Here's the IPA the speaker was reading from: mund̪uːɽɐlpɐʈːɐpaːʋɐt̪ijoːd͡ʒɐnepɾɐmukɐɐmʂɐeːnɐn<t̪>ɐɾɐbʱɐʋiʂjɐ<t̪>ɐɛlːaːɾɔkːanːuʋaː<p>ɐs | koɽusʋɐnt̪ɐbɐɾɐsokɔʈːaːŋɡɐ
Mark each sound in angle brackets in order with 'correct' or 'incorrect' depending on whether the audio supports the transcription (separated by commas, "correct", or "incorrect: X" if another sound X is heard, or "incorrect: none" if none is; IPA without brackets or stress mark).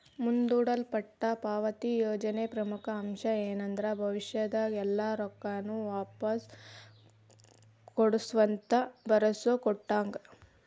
incorrect: d̪, incorrect: d̪, correct